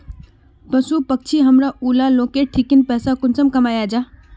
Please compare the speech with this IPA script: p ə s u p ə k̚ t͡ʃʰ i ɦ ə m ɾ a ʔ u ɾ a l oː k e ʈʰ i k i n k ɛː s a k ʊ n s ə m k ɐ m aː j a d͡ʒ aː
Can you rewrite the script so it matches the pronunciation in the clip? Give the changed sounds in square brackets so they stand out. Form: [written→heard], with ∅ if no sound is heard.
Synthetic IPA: p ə s u p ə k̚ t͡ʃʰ i ɦ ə m ɾ a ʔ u [ɾ→l] a l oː k e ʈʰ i k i n [k→p] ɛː s a k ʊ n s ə m k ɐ m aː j a d͡ʒ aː